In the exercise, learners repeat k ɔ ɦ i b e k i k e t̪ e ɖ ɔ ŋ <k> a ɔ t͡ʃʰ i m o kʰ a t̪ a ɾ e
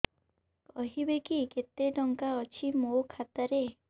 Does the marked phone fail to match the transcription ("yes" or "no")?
no